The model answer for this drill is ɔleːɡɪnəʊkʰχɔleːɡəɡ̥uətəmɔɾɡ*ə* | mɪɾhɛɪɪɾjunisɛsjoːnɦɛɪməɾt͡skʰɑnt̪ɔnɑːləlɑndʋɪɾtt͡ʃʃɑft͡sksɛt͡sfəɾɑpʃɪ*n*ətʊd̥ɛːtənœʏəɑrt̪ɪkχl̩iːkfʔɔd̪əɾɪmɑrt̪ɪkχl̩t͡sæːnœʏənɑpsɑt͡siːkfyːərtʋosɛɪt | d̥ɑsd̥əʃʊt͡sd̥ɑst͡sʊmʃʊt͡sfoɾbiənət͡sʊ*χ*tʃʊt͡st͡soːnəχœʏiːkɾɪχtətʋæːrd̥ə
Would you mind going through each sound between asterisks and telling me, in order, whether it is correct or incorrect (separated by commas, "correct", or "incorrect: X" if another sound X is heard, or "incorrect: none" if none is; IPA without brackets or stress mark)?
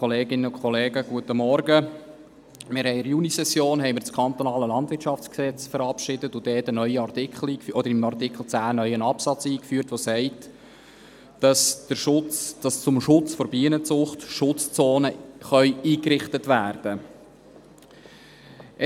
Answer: correct, incorrect: d, correct